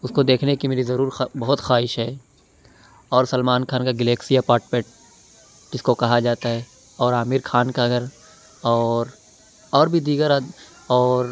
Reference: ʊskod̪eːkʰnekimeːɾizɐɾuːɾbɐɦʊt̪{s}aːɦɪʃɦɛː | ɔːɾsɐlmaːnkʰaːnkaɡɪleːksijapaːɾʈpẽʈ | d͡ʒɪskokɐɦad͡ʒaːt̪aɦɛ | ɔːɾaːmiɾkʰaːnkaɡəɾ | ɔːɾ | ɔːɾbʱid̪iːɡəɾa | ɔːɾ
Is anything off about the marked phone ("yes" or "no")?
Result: yes